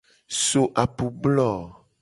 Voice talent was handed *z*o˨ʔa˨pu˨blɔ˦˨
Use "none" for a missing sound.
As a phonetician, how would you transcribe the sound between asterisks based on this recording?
s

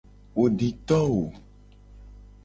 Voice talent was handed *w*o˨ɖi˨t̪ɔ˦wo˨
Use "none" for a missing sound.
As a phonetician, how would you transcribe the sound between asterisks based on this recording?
w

